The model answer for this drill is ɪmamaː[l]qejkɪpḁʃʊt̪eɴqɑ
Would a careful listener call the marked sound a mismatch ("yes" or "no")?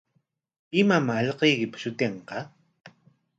yes